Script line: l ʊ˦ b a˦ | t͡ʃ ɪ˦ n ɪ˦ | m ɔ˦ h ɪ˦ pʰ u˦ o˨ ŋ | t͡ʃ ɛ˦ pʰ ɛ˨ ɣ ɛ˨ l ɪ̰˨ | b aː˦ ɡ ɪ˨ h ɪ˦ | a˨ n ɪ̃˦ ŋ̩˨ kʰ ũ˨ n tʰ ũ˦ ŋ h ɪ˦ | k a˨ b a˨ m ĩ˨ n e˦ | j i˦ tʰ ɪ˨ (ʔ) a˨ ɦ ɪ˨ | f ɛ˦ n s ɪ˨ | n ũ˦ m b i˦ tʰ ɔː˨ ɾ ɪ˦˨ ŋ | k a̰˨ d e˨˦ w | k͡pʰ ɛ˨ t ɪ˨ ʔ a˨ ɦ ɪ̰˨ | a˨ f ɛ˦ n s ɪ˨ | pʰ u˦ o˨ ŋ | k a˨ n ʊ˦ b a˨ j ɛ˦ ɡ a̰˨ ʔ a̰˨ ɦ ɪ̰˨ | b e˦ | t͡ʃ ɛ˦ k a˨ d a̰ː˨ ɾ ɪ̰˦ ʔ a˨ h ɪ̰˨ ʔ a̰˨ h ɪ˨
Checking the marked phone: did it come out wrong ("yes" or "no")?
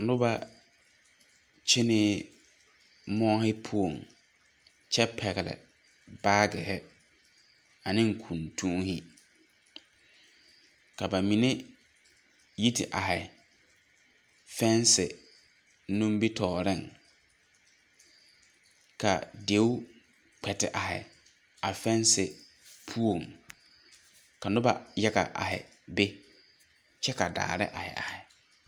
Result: no